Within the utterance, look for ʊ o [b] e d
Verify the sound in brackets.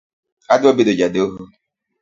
correct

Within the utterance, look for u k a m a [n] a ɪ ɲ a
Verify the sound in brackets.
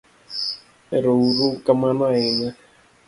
correct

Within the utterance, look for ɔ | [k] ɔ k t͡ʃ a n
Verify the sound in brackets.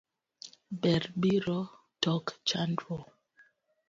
incorrect: t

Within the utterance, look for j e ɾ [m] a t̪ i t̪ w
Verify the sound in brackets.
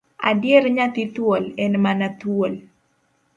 incorrect: ɲ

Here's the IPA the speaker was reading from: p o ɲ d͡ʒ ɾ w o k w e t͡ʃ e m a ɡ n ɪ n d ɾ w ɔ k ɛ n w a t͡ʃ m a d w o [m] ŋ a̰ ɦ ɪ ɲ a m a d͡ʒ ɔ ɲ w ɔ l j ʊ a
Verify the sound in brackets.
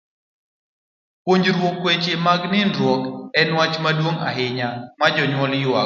incorrect: none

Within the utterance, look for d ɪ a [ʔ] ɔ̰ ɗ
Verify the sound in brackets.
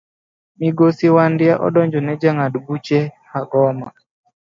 correct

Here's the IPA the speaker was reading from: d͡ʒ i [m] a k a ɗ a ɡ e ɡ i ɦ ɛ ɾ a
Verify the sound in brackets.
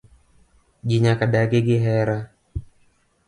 incorrect: ɲ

